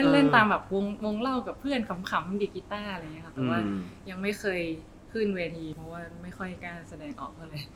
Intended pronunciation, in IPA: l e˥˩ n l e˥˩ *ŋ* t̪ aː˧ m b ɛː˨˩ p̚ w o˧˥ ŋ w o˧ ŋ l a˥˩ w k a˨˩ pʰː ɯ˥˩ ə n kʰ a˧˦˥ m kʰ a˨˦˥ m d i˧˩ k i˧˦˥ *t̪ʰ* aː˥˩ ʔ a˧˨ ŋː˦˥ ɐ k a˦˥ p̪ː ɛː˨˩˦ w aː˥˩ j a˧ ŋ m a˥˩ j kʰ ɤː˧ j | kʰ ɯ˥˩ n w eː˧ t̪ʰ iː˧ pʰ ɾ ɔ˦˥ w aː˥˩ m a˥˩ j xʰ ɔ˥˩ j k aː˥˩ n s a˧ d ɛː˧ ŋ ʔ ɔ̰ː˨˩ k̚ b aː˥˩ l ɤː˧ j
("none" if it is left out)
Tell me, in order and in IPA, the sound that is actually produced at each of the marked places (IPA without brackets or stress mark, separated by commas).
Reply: n, t̪